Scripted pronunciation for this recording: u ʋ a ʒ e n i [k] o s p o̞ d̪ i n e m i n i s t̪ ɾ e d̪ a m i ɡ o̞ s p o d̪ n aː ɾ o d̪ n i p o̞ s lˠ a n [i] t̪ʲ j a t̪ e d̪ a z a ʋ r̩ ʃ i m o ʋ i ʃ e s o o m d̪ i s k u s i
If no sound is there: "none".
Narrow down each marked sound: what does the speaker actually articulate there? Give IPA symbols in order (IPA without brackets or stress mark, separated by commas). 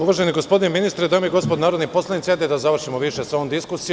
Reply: ɡ, i